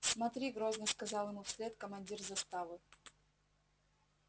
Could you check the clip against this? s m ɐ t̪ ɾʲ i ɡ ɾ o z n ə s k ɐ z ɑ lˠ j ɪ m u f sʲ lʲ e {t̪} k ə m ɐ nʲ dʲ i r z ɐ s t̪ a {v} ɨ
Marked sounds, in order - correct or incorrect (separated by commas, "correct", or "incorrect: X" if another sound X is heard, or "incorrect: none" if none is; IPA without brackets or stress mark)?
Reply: correct, correct